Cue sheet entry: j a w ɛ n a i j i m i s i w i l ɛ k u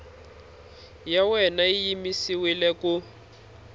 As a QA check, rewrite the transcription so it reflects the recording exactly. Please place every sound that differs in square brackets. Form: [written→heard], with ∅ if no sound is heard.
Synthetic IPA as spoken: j a w ɛ n a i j i m i s i w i l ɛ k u